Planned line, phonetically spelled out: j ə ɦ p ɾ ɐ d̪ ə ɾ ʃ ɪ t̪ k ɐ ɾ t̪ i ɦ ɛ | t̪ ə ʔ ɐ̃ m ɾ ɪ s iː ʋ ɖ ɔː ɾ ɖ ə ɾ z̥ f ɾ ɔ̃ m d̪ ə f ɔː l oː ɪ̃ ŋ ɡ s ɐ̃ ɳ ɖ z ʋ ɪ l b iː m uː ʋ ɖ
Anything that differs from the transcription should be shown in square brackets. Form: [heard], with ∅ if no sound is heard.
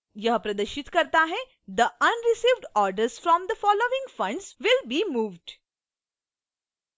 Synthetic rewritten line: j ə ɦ p ɾ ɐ d̪ ə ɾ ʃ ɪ t̪ k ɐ ɾ t̪ [a] ɦ ɛ | [d̪] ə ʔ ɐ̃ [n] ɾ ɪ s iː ʋ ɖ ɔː ɾ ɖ ə ɾ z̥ f ɾ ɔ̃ m d̪ ə f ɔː l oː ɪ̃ ŋ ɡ [f] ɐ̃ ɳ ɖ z ʋ ɪ l b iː m uː ʋ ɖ

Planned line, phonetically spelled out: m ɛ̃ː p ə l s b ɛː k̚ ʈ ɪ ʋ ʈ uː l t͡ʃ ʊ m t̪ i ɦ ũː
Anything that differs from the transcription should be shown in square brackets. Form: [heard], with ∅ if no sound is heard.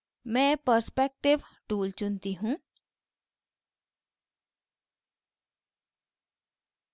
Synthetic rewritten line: m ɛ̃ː p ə [ɾ] s [p] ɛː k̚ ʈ ɪ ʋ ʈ uː l t͡ʃ ʊ [n] t̪ i ɦ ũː

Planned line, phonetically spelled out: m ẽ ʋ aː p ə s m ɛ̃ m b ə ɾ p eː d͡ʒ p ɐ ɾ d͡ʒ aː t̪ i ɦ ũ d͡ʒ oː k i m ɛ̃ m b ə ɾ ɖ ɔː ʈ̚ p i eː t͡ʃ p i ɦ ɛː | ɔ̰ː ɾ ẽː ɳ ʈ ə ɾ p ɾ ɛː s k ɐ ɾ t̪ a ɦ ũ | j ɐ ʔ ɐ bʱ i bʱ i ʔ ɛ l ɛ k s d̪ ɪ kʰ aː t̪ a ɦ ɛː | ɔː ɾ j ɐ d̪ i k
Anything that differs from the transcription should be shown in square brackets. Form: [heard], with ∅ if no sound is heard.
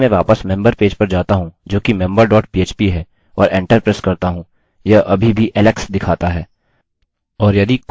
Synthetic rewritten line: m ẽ ʋ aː p ə s m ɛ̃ m b ə ɾ p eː d͡ʒ p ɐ ɾ d͡ʒ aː t̪ [a] ɦ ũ d͡ʒ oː k i m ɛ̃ m b ə ɾ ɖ ɔː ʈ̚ p i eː t͡ʃ p i ɦ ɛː | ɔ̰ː ɾ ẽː ɳ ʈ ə ɾ p ɾ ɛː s k ɐ ɾ t̪ a ɦ ũ | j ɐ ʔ ɐ bʱ i bʱ i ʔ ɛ l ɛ k s d̪ ɪ kʰ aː t̪ a ɦ ɛː | ɔː ɾ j ɐ d̪ i k

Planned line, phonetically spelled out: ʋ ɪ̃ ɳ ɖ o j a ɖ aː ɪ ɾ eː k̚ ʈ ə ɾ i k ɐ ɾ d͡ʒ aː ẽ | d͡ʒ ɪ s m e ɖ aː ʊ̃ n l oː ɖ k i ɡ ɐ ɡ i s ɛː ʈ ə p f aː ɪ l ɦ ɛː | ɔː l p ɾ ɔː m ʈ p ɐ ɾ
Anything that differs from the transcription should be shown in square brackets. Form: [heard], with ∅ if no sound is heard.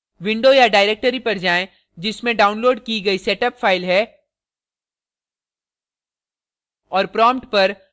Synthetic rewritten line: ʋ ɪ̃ ɳ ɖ o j a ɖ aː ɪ ɾ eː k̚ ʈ ə ɾ i [p] ɐ ɾ d͡ʒ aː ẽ | d͡ʒ ɪ s m [ẽ] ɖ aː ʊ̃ n l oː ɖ k i ɡ ɐ [∅] i s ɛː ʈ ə p f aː ɪ l ɦ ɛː | ɔː [ɾ] p ɾ ɔː m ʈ p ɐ ɾ

